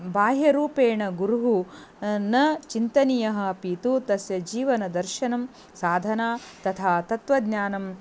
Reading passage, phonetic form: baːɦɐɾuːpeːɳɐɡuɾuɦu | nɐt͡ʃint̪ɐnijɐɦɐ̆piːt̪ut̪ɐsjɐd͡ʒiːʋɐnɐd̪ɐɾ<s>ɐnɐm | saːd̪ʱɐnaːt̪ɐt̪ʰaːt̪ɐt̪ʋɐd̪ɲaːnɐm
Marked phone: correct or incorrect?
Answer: incorrect